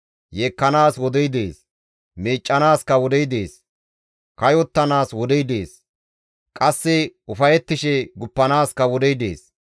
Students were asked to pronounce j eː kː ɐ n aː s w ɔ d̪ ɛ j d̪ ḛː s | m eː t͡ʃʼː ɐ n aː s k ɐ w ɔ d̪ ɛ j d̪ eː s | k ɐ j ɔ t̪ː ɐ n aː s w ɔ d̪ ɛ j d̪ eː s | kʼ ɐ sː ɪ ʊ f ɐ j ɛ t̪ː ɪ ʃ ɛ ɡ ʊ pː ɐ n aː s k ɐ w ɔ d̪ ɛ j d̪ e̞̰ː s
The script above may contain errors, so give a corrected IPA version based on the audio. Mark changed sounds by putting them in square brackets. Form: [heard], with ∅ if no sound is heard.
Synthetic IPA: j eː kː ɐ n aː s w ɔ d̪ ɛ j d̪ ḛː s | m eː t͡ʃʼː ɐ n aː s k ɐ w ɔ d̪ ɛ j d̪ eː s | k ɐ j ɔ t̪ː ɐ n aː s w ɔ d̪ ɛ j d̪ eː s | kʼ ɐ sː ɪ ʊ f ɐ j ɛ t̪ː ɪ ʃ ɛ ɡ ʊ pː ɐ n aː s k ɐ w ɔ d̪ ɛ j d̪ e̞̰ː s